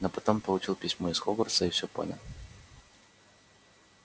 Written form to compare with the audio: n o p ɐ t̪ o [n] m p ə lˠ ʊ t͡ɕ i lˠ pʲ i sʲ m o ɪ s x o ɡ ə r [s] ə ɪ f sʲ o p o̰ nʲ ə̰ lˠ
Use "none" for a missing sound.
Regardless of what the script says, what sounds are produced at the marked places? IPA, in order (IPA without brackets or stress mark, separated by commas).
none, s